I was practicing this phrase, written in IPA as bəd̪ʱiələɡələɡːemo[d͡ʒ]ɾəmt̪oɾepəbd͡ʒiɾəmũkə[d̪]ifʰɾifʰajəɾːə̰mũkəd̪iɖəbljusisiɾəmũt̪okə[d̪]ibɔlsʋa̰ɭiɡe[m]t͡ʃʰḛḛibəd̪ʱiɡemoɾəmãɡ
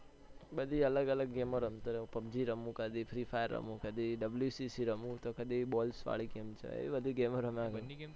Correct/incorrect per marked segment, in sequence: incorrect: none, correct, correct, correct

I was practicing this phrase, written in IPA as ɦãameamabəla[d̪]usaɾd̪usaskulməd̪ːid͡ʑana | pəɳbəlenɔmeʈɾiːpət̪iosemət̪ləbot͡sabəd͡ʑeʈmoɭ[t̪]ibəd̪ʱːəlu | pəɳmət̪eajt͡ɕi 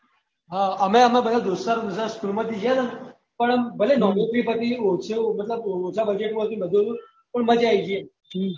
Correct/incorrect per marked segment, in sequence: correct, correct

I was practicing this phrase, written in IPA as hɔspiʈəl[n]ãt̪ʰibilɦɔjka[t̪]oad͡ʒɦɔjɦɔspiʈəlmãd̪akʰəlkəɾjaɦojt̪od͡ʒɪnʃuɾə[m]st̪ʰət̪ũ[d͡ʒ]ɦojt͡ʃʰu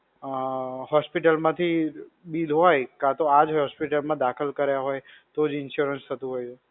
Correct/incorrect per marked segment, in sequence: incorrect: m, correct, incorrect: n, incorrect: none

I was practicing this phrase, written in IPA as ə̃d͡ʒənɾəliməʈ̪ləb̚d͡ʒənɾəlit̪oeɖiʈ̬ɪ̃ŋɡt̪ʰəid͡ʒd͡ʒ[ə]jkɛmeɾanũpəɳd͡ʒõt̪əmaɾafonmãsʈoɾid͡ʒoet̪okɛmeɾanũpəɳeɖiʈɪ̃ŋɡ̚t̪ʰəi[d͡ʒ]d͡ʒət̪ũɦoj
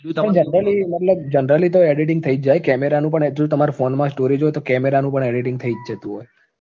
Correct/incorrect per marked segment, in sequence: incorrect: a, correct

